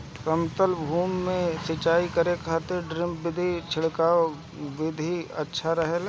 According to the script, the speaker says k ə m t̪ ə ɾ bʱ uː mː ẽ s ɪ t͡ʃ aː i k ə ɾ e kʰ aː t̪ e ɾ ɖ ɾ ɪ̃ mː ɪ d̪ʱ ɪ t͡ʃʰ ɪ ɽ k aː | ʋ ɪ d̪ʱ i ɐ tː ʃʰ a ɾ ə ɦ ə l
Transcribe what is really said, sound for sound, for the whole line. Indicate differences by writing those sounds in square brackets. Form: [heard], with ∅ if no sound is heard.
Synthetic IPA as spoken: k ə m t̪ ə [l] bʱ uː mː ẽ s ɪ t͡ʃ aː i k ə ɾ e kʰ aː t̪ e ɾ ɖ ɾ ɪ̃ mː ɪ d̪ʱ [i] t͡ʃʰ ɪ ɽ k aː | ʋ ɪ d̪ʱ i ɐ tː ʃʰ a ɾ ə ɦ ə l